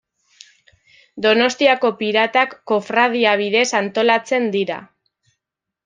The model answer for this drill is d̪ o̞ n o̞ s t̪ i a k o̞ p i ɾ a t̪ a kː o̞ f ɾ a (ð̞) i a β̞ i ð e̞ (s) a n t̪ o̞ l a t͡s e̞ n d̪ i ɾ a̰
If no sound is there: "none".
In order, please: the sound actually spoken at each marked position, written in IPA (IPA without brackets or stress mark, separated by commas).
ð̞, s